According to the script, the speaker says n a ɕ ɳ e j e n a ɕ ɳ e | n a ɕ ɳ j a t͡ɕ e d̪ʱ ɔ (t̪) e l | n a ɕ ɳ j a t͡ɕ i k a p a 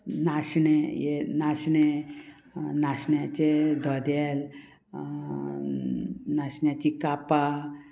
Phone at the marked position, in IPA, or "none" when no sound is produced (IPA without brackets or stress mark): d̪